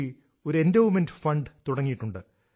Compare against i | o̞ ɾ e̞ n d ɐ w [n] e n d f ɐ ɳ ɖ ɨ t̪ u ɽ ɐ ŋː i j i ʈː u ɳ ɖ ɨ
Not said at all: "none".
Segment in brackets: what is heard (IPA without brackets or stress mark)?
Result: m